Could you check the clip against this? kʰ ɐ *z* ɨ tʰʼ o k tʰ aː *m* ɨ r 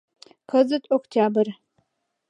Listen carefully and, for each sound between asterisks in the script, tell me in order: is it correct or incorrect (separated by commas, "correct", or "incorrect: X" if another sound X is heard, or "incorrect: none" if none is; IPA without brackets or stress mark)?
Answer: correct, incorrect: b